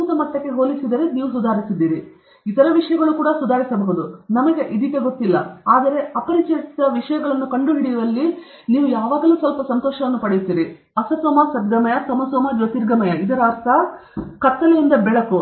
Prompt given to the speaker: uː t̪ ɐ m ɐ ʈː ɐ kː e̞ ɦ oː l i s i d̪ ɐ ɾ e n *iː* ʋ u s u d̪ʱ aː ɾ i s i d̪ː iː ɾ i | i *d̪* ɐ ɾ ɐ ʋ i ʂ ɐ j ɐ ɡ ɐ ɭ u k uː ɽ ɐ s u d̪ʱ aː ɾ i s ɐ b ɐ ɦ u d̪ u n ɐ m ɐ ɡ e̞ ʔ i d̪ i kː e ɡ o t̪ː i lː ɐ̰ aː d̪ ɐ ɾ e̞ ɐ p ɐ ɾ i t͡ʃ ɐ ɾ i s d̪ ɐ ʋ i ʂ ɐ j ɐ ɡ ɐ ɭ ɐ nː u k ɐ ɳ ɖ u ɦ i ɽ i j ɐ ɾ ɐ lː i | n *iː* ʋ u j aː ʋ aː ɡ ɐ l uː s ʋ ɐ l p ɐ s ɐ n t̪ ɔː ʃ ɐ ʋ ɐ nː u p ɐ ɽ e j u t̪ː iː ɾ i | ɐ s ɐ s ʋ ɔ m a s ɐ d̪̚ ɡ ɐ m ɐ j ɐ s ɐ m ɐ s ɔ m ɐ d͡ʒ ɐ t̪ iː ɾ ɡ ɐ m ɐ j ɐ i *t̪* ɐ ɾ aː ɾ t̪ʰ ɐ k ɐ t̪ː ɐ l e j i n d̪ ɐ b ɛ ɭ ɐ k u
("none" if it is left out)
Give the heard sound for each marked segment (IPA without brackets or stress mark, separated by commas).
iː, t̪, iː, d̪